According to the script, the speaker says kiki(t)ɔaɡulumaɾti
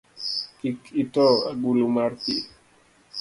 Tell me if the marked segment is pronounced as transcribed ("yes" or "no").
yes